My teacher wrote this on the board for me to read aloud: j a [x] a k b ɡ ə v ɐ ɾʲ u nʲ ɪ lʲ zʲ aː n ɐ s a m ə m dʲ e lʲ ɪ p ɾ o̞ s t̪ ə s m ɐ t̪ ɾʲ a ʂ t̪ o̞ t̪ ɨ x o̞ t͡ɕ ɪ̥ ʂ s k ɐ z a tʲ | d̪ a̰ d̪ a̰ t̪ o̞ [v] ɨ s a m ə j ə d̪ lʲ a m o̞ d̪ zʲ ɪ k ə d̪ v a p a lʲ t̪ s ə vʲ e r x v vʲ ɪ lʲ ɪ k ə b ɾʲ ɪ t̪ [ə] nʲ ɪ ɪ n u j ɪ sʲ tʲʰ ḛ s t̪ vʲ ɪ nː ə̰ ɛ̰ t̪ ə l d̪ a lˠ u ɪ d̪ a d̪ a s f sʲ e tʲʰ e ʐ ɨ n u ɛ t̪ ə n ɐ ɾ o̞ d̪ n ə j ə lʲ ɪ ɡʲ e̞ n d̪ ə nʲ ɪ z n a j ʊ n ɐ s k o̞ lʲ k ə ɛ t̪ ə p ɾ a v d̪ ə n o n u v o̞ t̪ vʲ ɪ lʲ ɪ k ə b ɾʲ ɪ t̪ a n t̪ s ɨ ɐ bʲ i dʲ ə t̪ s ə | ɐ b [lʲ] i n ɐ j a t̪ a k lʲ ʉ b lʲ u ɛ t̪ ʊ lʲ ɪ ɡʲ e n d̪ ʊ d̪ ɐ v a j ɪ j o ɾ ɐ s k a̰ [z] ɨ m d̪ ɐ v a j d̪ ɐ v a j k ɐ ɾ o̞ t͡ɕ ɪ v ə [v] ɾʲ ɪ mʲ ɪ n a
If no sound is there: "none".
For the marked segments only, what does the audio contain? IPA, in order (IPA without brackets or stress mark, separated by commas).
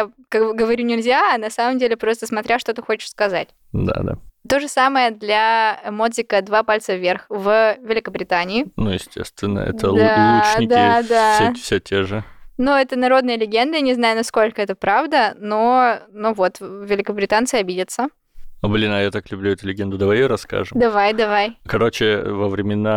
k, ʐ, a, lʲ, ʐ, v